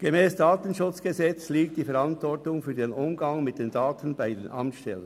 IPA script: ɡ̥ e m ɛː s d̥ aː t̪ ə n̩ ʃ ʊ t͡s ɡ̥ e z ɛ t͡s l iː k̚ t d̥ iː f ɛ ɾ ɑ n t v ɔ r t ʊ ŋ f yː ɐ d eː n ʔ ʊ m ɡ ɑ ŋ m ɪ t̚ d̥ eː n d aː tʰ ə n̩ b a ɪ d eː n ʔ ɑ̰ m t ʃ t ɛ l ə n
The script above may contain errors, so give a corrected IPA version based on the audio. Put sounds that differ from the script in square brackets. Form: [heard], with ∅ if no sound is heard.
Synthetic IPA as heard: ɡ̥ e m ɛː s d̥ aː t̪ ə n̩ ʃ ʊ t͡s ɡ̥ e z ɛ t͡s l iː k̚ t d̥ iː f ɛ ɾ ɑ n t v ɔ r t ʊ ŋ f yː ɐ d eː n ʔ ʊ m ɡ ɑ ŋ m ɪ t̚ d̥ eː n d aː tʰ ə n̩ b a ɪ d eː n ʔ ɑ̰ m t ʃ t ɛ l ə n